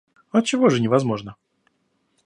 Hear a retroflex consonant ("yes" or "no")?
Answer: yes